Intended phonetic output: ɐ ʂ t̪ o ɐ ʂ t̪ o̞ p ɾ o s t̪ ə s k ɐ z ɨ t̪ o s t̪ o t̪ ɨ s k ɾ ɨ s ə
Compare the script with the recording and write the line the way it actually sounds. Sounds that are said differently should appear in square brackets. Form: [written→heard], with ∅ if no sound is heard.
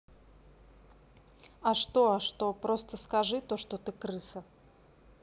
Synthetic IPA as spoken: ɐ ʂ t̪ o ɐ ʂ t̪ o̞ p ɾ o s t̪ ə s k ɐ [z→ʐ] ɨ t̪ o [s→ʂ] t̪ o t̪ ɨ [s→∅] k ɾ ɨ s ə